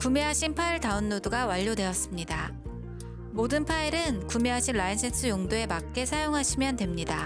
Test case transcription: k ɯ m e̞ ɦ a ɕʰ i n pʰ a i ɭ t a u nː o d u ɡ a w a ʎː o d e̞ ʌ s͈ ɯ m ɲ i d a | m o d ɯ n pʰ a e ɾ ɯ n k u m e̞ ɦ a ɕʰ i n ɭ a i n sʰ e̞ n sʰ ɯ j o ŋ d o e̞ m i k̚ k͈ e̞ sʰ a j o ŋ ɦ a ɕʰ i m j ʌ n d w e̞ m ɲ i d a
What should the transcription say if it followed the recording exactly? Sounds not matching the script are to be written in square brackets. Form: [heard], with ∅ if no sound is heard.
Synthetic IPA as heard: k [u] m e̞ ɦ a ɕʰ i n pʰ a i ɭ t a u nː o d u ɡ a w a ʎː o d e̞ ʌ s͈ ɯ m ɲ i d a | m o d ɯ n pʰ a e ɾ ɯ n k u m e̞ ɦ a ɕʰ i n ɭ a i n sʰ e̞ n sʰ ɯ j o ŋ d o e̞ m [a] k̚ k͈ e̞ sʰ a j o ŋ ɦ a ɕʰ i m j ʌ n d w e̞ m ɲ i d a